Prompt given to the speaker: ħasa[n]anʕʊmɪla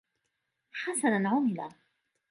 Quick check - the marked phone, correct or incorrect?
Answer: correct